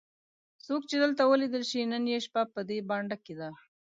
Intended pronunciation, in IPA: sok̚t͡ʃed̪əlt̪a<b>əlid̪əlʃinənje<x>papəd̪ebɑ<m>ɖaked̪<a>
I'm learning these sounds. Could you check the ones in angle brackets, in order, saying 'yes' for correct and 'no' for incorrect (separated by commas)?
no, no, no, yes